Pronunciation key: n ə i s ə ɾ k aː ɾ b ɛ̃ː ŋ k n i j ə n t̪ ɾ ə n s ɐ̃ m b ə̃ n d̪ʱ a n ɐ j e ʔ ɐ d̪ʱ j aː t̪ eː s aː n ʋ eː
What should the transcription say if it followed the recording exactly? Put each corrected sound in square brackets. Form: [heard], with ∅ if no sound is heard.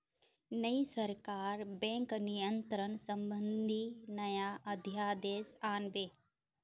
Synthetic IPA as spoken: n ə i s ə ɾ k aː ɾ b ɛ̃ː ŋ k n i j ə n t̪ ɾ ə n s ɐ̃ m b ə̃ n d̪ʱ [i] n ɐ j [a] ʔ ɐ d̪ʱ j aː [d̪] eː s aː n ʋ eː